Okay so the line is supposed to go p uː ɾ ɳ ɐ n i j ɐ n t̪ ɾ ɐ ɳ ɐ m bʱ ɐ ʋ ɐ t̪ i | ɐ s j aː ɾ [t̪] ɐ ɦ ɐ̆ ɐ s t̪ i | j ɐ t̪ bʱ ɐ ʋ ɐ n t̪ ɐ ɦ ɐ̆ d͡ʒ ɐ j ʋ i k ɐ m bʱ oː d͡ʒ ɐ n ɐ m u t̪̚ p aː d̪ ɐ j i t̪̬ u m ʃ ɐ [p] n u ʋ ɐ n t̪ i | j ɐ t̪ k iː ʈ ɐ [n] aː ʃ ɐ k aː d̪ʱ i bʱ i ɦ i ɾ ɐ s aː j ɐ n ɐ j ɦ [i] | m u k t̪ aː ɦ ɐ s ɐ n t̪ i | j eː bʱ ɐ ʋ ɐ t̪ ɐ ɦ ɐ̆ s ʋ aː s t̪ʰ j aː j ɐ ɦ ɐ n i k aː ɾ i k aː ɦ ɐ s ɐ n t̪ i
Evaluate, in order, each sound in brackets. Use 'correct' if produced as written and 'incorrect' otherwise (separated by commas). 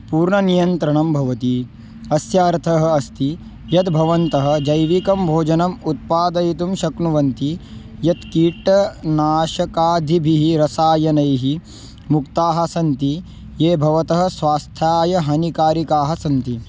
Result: incorrect, incorrect, correct, correct